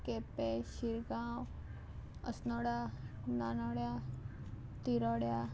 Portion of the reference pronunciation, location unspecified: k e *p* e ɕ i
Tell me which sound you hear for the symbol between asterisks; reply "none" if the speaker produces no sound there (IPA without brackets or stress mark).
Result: p